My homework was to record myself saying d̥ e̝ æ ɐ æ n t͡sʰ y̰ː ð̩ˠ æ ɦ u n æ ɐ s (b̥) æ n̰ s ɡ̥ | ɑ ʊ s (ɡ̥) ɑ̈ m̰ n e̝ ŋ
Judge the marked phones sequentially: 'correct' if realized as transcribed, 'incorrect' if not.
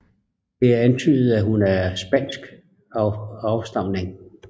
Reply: correct, incorrect

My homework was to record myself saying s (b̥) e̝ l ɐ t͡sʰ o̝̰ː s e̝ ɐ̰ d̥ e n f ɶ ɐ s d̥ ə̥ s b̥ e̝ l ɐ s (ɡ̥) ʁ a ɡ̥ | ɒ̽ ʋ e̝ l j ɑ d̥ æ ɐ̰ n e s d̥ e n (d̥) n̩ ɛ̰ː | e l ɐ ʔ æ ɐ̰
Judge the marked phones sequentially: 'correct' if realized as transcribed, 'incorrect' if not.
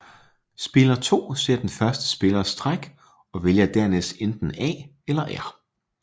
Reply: correct, incorrect, correct

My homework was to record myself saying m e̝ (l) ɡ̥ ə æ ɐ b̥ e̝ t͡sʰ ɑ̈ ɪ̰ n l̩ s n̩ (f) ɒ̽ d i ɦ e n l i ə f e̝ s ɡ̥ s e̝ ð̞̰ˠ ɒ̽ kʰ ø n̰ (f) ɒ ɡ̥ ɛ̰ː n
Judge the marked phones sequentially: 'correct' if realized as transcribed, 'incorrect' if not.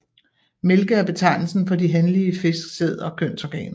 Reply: correct, correct, incorrect

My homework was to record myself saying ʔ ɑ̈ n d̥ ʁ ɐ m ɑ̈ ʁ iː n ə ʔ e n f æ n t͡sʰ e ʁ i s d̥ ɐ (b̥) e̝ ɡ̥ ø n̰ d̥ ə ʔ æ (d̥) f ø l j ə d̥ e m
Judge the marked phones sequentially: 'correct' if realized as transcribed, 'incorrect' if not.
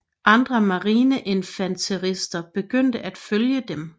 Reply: correct, correct

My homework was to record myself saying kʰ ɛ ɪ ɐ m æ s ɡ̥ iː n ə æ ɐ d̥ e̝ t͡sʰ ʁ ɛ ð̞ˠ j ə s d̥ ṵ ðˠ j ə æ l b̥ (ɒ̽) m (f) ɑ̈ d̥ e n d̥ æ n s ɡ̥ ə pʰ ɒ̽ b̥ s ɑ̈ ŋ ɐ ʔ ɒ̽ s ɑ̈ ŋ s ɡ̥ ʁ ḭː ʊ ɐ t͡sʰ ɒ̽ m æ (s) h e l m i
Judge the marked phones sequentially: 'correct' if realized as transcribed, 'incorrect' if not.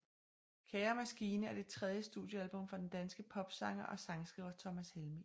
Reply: incorrect, correct, correct

